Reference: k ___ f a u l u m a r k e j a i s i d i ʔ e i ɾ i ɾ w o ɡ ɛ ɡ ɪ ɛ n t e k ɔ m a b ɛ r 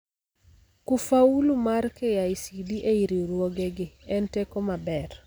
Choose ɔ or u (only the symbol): u